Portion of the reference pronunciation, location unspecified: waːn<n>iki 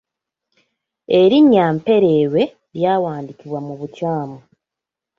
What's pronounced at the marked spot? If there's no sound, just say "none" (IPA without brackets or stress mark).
d